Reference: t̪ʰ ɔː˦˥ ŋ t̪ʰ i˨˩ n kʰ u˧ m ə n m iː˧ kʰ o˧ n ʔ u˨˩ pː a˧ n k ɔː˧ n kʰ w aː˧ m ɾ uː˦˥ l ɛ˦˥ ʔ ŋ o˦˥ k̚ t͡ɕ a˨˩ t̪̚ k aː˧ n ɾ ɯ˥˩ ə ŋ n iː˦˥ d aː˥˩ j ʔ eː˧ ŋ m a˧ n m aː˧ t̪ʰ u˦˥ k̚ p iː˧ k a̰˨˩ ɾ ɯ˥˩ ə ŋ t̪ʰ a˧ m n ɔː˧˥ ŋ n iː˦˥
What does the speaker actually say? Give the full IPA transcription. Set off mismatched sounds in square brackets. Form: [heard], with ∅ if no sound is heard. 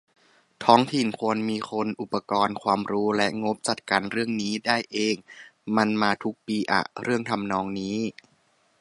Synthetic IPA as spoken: t̪ʰ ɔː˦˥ ŋ t̪ʰ i˨˩ n kʰ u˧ [∅] ə n m iː˧ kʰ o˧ n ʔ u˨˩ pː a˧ [∅] k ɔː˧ n kʰ w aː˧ m ɾ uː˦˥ l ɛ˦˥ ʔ ŋ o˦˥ [p̚] t͡ɕ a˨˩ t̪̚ k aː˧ n ɾ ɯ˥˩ ə ŋ n iː˦˥ d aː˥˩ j ʔ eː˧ ŋ m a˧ n m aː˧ t̪ʰ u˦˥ k̚ p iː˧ [ʔ] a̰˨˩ ɾ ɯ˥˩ ə ŋ t̪ʰ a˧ m n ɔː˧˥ ŋ n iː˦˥

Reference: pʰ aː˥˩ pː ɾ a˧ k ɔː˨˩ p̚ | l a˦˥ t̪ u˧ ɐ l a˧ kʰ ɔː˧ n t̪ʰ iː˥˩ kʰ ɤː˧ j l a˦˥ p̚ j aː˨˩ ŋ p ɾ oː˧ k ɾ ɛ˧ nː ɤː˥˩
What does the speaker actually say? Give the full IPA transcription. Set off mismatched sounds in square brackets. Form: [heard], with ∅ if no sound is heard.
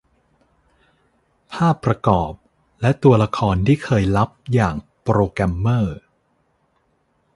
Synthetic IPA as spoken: pʰ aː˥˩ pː ɾ a˧ k ɔː˨˩ p̚ | l [ɛ˦˥] t̪ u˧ ɐ l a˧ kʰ ɔː˧ n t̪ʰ iː˥˩ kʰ ɤː˧ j l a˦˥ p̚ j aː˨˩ ŋ p ɾ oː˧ k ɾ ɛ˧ [mː] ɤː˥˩

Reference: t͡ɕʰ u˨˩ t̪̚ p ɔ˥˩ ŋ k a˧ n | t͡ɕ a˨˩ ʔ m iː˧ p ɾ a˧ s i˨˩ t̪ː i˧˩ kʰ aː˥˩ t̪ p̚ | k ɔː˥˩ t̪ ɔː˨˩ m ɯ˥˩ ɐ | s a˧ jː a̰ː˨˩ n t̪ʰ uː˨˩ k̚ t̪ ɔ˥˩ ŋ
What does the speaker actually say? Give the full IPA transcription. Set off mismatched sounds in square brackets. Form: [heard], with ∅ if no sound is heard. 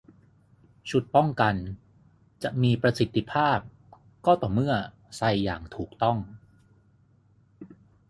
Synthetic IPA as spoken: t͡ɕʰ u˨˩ t̪̚ p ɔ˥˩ ŋ k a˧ n | t͡ɕ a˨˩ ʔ m iː˧ p ɾ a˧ s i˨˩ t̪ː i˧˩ [pʰ] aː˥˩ [∅] p̚ | k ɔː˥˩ t̪ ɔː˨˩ m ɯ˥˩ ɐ | s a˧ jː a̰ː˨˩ [ŋ] t̪ʰ uː˨˩ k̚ t̪ ɔ˥˩ ŋ

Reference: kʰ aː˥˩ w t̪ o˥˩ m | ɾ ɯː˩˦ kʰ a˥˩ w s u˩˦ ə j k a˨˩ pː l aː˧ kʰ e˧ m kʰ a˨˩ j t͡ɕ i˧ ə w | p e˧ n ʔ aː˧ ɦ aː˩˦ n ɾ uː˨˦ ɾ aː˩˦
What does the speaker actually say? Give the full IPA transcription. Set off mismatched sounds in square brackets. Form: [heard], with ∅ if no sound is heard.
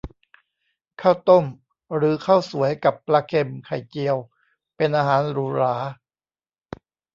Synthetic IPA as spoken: kʰ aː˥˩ w t̪ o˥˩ m | ɾ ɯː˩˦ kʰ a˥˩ w s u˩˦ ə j k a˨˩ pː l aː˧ kʰ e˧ m kʰ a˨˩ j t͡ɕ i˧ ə w | p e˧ n ʔ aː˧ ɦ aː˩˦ n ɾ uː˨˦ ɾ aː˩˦

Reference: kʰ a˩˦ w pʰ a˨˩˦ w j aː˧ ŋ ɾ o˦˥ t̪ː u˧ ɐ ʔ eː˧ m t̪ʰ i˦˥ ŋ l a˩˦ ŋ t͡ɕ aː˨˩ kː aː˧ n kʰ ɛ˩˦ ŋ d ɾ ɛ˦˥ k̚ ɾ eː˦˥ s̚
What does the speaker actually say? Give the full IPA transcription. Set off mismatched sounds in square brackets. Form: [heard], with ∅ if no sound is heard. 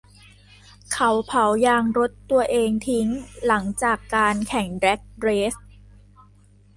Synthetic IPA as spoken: kʰ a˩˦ w pʰ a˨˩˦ w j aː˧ ŋ ɾ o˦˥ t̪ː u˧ ɐ ʔ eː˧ [ŋ] t̪ʰ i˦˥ ŋ l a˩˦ ŋ t͡ɕ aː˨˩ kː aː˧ n kʰ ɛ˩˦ ŋ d ɾ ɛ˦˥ k̚ ɾ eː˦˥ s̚

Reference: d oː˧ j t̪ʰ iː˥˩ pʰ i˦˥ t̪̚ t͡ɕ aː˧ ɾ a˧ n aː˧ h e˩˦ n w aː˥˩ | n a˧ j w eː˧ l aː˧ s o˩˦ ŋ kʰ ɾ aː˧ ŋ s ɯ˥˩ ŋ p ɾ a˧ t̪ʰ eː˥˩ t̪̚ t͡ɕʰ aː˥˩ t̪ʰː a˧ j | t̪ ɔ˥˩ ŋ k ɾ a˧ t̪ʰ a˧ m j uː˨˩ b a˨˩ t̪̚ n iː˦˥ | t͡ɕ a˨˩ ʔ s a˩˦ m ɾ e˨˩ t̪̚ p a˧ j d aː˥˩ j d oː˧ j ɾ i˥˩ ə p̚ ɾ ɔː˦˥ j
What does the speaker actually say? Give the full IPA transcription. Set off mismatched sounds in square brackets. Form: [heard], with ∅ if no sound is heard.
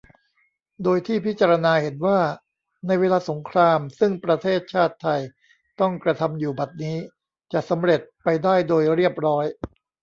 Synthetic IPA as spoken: d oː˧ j t̪ʰ iː˥˩ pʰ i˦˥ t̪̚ t͡ɕ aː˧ ɾ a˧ n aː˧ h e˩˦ n w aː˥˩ | n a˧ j w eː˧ l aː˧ s o˩˦ ŋ kʰ ɾ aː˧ [m] s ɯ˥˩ ŋ p ɾ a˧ t̪ʰ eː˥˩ t̪̚ t͡ɕʰ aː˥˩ t̪ʰː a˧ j | t̪ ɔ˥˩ ŋ k ɾ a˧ t̪ʰ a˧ m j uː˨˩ b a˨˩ t̪̚ n iː˦˥ | t͡ɕ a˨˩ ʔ s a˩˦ m ɾ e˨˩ t̪̚ p a˧ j d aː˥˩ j d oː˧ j ɾ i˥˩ ə p̚ ɾ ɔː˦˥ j

